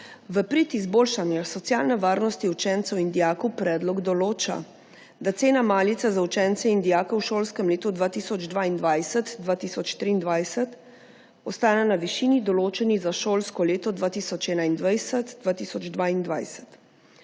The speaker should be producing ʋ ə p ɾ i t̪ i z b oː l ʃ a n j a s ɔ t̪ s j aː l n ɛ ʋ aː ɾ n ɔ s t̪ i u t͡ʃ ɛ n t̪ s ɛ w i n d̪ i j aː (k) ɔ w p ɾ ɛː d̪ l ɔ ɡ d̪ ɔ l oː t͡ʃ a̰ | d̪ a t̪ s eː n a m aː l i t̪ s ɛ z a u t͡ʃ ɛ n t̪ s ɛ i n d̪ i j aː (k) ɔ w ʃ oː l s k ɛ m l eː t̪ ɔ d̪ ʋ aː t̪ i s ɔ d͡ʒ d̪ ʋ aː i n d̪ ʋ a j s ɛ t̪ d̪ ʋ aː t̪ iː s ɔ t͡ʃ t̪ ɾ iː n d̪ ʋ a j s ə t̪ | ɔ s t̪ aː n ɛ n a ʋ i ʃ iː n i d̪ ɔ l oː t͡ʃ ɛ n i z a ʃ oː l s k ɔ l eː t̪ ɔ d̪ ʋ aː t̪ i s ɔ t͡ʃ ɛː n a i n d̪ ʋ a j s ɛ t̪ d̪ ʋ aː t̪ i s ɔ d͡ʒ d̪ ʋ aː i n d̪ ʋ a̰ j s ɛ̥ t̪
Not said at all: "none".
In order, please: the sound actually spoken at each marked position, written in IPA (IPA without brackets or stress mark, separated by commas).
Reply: k, k